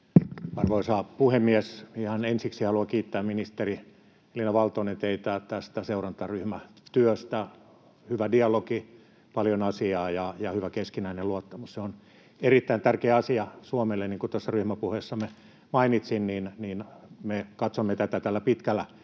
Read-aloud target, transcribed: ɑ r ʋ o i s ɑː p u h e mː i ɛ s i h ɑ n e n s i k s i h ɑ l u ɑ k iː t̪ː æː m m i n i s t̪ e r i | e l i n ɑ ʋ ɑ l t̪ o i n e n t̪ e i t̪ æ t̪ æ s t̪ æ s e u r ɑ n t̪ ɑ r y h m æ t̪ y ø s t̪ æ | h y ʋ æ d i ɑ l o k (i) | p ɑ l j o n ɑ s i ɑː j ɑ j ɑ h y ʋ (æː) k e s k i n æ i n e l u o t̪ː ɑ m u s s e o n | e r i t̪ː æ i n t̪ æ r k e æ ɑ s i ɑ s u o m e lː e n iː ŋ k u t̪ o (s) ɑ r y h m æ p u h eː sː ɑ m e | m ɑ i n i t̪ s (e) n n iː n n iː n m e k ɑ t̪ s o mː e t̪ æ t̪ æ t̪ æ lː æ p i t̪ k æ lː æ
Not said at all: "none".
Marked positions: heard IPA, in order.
i, æ, sː, i

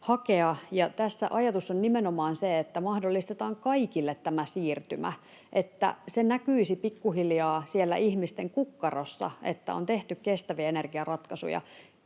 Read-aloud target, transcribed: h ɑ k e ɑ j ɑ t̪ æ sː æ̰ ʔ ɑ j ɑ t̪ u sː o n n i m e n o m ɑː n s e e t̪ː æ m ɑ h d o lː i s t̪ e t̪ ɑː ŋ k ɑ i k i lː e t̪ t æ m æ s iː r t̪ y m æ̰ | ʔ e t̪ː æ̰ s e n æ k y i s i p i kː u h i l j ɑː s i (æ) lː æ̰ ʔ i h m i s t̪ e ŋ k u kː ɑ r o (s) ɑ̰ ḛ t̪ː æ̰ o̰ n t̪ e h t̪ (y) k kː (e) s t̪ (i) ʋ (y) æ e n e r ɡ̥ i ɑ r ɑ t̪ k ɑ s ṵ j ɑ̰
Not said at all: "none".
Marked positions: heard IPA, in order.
e, sː, y, e, æ, i

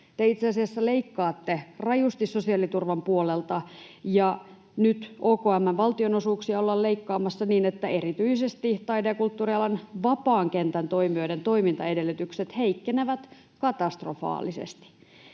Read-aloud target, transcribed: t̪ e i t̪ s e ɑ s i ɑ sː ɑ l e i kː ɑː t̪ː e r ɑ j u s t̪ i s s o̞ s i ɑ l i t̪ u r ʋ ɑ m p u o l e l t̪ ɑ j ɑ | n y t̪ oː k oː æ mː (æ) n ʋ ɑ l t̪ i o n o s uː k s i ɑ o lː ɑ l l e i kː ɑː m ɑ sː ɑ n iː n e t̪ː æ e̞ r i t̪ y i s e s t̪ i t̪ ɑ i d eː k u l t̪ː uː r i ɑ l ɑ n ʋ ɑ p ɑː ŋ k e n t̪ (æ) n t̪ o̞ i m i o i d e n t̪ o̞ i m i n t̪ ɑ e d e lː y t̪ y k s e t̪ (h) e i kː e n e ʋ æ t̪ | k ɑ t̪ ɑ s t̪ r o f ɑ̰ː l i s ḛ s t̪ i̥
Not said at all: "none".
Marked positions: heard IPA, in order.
æ, æ, h

